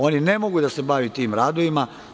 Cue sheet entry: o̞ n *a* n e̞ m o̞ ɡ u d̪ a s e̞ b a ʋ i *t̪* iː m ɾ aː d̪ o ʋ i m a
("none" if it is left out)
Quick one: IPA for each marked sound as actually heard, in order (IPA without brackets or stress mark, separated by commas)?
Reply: i, t̪